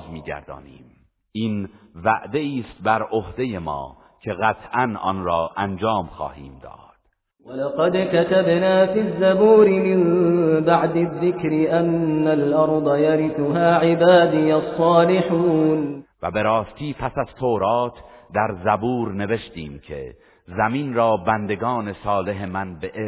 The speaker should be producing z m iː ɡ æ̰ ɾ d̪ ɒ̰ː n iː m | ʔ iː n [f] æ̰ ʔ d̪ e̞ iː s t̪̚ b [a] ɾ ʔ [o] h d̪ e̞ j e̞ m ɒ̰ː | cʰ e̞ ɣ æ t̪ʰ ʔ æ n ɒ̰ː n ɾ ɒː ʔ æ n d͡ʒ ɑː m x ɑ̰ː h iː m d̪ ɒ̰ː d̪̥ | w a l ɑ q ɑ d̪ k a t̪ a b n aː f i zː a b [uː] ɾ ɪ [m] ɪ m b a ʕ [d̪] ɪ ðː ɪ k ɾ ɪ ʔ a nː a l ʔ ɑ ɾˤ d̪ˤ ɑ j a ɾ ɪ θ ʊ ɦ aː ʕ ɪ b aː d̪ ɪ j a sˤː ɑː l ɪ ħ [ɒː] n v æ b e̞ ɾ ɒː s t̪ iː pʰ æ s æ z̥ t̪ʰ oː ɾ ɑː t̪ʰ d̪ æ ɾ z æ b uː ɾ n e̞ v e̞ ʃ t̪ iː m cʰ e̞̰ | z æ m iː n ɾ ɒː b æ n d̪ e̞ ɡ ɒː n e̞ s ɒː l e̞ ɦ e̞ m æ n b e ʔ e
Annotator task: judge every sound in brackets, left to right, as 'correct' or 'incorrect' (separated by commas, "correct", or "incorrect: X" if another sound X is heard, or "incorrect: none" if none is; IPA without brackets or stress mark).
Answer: incorrect: v, incorrect: æ, correct, correct, correct, correct, incorrect: uː